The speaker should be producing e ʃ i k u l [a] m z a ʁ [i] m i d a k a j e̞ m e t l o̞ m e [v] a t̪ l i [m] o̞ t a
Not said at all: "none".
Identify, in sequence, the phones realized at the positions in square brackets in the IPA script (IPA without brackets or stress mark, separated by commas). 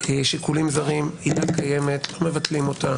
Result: i, i, v, m